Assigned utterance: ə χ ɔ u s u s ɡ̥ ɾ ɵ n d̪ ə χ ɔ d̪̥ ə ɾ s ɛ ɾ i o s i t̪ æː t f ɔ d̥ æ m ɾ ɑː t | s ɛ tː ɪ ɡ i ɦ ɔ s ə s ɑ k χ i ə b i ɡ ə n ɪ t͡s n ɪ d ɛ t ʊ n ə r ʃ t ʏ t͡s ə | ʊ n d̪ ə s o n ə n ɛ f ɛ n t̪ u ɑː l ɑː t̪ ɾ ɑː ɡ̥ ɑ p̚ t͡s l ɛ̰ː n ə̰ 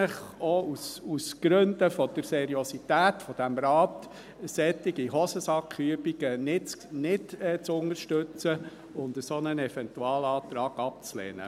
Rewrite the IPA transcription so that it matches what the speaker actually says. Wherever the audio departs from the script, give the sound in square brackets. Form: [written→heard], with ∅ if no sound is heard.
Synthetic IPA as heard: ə χ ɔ u s u s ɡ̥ ɾ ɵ n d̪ ə [χ→f] ɔ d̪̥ ə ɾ s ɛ ɾ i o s i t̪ æː t f ɔ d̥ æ m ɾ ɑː t | s ɛ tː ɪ ɡ i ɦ ɔ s ə s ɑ k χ [i→y] ə b i ɡ ə n ɪ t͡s n ɪ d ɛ [t→t͡s] ʊ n ə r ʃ t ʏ t͡s ə | ʊ n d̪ ə s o n ə n ɛ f ɛ n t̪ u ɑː l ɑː t̪ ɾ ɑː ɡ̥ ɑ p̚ t͡s l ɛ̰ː n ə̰